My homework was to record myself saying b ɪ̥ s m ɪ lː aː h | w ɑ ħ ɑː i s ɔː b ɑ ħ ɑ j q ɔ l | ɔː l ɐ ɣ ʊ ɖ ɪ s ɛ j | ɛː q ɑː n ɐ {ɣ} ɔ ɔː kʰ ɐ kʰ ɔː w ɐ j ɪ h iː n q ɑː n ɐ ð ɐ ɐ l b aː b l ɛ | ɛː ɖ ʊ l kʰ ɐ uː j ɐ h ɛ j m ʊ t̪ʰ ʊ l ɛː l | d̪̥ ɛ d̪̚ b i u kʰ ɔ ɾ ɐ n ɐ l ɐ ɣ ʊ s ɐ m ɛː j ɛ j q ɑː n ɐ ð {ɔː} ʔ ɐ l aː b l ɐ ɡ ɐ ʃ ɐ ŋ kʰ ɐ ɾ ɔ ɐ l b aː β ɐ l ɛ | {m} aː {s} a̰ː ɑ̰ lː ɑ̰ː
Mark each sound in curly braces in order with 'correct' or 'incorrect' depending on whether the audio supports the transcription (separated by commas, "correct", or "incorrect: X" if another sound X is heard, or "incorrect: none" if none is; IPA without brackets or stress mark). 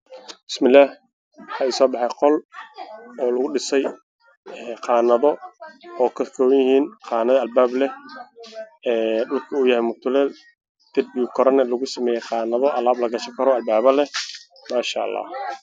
incorrect: ð, incorrect: ɔ, correct, incorrect: ʃ